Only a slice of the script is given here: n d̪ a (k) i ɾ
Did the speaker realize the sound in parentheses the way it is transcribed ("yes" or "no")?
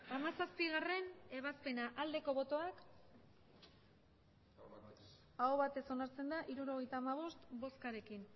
no